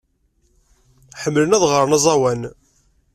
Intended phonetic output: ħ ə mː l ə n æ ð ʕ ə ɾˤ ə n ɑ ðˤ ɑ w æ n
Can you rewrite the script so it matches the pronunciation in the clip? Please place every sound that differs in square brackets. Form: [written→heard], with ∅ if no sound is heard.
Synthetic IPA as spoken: ħ ə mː l ə n æ ð [ʕ→ʁ] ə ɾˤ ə n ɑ [ðˤ→zˤ] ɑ w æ n

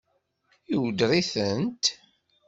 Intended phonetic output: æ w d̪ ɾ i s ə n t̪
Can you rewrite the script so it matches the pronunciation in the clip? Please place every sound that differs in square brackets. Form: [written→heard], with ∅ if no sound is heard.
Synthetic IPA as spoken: [æ→i] w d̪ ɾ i [s→θ] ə n t̪

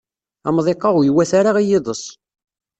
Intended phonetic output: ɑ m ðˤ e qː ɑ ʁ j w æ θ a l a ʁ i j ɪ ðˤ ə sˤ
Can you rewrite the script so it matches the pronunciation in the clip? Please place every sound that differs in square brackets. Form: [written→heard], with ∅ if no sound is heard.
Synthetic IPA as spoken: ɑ m ðˤ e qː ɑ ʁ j w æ θ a [l→ɾ] a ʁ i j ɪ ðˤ ə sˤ

